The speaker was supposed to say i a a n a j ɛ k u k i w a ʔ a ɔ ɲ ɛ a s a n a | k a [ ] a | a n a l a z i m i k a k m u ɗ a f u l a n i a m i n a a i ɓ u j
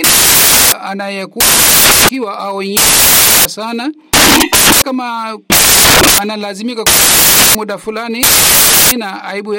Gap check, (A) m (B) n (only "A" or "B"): A